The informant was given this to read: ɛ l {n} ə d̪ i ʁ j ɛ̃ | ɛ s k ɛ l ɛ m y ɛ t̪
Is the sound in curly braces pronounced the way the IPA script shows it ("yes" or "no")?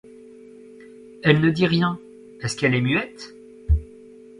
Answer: yes